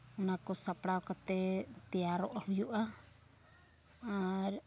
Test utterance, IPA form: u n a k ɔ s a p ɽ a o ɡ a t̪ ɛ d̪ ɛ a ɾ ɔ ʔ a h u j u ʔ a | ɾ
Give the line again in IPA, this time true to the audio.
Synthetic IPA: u n a k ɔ s a p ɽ a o k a t̪ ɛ t̪ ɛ a ɾ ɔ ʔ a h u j u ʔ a | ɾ